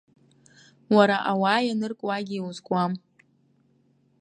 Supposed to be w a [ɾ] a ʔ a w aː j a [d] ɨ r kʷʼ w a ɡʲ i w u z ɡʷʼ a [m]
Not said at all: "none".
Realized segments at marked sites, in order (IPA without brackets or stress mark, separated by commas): ɾ, n, m